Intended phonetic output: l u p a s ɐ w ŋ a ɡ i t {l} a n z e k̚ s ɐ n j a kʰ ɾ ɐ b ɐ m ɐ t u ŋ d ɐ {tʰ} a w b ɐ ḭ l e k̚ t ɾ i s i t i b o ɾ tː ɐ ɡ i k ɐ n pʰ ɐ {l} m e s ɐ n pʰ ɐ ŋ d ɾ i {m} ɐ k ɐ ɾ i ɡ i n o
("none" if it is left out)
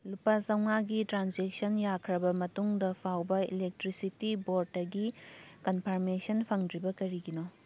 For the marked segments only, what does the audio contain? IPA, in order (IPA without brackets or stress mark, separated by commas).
ɾ, pʰ, ɾ, b